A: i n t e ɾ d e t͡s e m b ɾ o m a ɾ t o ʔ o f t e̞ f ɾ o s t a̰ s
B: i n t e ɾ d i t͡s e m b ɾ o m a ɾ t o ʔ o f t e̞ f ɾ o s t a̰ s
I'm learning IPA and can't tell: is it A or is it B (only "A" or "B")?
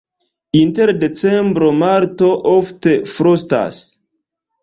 A